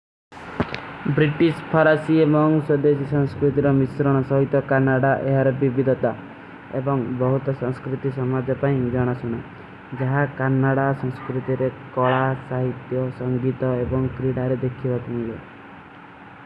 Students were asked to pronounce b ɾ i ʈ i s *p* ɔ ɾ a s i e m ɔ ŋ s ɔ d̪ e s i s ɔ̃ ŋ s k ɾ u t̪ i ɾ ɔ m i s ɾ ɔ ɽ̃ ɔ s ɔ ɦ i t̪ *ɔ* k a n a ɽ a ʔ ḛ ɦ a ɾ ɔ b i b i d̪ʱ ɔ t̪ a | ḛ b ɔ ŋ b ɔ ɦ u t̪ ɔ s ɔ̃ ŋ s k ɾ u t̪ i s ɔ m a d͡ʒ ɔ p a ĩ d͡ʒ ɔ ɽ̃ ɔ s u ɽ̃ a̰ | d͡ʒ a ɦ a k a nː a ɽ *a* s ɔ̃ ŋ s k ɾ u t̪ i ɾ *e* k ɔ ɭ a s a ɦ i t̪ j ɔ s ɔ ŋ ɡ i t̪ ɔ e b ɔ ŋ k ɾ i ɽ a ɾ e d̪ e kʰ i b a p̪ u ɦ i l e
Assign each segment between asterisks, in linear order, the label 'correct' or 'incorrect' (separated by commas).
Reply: incorrect, correct, correct, correct